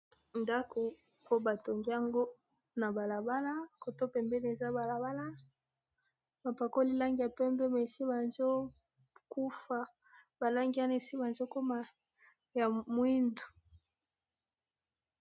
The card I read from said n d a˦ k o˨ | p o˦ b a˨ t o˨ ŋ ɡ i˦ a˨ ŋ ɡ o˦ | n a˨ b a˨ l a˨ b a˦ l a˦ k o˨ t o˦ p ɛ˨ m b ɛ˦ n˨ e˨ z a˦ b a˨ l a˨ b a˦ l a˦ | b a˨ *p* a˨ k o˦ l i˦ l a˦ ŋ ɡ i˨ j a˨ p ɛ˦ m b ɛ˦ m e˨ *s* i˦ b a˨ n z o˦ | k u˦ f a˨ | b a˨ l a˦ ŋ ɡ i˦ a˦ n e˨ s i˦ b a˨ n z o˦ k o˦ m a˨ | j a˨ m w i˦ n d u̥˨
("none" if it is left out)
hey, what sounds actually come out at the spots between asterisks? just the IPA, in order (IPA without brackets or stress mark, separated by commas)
p, s